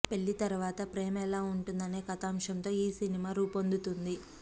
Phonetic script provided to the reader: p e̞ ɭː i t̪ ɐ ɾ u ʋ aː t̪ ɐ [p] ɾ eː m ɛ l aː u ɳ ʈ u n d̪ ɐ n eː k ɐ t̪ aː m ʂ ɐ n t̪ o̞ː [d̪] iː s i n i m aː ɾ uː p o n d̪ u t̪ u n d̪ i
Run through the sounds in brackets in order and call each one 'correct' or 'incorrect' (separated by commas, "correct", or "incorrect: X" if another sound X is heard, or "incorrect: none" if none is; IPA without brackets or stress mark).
correct, incorrect: none